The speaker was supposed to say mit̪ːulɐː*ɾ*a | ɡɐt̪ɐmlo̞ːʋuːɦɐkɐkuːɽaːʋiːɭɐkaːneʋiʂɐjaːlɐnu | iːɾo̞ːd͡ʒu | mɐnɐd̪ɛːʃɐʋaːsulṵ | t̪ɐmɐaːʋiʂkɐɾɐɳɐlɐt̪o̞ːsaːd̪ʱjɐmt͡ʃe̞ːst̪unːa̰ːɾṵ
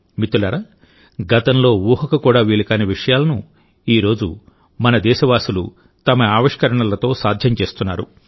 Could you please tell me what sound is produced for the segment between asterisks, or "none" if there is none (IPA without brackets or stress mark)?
ɾ